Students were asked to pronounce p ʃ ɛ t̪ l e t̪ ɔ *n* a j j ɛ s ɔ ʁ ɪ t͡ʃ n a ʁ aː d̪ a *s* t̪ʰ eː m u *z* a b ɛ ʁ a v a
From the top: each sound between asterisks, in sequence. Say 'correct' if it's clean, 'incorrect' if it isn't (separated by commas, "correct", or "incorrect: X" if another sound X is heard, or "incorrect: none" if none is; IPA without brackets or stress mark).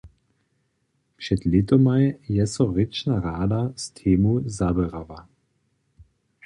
incorrect: m, correct, correct